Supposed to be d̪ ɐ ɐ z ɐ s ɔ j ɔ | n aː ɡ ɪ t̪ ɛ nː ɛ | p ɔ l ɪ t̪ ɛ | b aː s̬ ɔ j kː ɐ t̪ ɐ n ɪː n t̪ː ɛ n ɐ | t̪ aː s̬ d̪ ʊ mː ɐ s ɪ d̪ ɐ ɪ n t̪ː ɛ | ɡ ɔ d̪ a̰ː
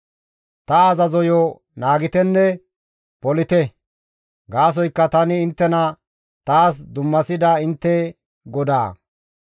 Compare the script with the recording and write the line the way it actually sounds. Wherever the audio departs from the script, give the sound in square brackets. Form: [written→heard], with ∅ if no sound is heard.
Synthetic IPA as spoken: [d̪→t̪] ɐ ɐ z ɐ [s→z] ɔ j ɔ | n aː ɡ ɪ t̪ ɛ nː ɛ | p ɔ l ɪ t̪ ɛ | [b→ɡ] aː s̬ ɔ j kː ɐ t̪ ɐ n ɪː n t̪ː ɛ n ɐ | t̪ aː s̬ d̪ ʊ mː ɐ s ɪ d̪ ɐ ɪ n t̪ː ɛ | ɡ ɔ d̪ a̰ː